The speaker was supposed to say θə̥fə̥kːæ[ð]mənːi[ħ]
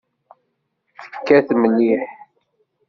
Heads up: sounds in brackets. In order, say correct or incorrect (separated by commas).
incorrect, correct